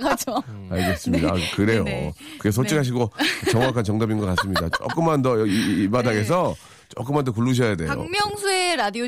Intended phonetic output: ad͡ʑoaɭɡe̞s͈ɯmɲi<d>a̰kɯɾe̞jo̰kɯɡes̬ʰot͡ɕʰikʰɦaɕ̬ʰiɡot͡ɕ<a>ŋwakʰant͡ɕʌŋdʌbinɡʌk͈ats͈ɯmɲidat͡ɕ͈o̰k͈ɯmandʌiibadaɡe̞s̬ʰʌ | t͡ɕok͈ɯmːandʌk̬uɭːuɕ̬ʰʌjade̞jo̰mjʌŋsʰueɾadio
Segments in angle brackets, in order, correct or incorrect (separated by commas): correct, incorrect